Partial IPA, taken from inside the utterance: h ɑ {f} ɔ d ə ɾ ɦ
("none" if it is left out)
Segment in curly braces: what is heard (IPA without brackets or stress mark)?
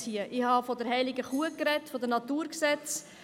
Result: f